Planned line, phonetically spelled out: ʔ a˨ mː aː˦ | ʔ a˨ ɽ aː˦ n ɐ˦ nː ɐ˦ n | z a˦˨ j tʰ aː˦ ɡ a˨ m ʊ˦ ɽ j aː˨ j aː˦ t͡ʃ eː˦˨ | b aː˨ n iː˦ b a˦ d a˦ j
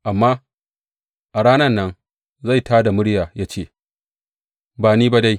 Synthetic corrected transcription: ʔ a˨ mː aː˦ | ʔ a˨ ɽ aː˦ n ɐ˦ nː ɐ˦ n | z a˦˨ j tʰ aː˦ d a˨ m ʊ˦ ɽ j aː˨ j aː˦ t͡ʃ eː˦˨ | b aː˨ n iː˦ b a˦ d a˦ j